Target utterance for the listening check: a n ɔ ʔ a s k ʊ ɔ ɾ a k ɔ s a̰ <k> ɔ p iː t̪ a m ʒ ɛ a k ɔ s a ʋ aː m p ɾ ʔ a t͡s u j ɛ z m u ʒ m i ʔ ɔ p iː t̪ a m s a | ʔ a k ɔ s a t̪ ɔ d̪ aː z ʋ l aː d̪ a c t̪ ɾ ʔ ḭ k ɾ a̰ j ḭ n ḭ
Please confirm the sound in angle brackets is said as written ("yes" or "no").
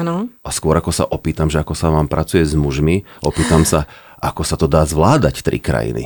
no